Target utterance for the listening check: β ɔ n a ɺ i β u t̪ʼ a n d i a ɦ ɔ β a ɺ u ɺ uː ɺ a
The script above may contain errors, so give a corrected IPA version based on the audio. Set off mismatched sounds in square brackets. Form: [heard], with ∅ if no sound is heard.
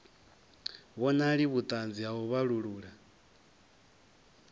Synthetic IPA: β ɔ n a ɺ i β u t̪ʼ a n [d͡z] i a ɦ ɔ β a ɺ u ɺ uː ɺ a